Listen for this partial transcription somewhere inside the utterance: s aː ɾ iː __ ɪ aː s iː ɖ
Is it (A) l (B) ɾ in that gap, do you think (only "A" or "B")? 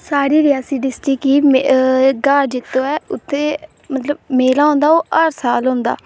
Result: B